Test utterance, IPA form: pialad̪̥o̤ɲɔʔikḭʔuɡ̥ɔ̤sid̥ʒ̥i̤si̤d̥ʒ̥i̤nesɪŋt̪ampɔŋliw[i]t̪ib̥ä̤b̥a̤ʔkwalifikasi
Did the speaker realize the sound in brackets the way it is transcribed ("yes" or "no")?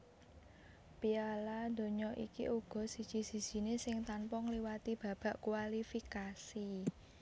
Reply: no